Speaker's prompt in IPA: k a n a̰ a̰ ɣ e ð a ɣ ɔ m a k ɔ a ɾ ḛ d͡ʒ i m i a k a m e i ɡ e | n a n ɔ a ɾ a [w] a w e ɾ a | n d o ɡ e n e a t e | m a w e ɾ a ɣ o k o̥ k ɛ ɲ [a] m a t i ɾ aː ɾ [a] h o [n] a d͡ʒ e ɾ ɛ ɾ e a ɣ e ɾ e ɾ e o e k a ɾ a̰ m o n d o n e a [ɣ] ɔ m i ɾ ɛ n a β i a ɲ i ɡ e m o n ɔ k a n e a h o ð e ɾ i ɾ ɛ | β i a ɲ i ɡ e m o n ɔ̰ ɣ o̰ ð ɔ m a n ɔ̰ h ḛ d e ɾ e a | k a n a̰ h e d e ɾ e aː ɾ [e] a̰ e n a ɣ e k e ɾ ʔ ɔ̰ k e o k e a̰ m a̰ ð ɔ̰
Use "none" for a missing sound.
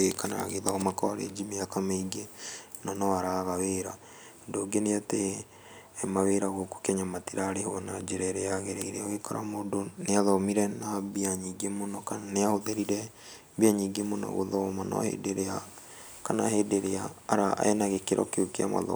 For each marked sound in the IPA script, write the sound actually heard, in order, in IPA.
ɣ, a, e, n, ð, a

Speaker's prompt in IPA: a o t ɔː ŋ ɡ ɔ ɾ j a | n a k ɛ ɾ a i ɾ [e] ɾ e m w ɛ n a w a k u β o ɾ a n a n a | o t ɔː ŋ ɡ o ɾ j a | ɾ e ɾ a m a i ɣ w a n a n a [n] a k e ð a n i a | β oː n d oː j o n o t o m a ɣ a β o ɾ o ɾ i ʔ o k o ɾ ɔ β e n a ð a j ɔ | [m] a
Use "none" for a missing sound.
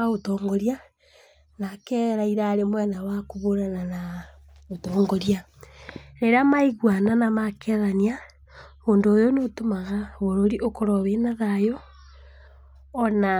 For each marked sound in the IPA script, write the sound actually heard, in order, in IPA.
a, m, n

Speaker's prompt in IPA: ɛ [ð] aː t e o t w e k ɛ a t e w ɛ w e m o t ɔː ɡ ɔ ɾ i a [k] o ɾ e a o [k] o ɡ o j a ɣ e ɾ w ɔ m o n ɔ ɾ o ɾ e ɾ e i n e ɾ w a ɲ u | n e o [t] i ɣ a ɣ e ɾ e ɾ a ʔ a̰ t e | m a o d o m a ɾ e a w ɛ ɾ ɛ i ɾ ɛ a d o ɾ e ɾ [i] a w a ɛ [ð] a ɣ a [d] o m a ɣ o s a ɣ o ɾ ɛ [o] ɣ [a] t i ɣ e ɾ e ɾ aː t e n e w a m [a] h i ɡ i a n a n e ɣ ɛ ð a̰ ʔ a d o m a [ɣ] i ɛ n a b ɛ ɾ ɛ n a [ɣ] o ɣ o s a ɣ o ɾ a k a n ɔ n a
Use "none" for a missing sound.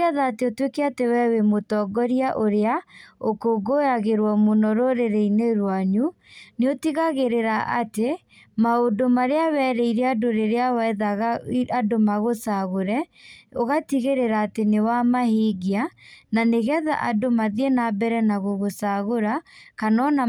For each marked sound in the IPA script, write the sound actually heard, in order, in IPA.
ð, ʔ, k, t, e, ð, d, o, a, a, ð, ɣ

